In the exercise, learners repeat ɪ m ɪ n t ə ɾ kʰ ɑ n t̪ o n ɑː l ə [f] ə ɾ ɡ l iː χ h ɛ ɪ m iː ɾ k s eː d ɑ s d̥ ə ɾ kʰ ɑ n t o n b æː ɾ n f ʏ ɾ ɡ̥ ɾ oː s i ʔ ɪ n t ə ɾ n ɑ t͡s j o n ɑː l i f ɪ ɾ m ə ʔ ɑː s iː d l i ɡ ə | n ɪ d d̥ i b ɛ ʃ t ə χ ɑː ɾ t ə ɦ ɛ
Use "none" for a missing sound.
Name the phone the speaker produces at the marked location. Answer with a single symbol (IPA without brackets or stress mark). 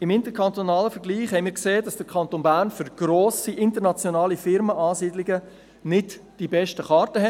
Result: f